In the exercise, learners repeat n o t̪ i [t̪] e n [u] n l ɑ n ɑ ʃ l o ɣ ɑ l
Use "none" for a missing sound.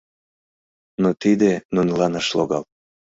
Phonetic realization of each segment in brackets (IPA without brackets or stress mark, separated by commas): d̪, u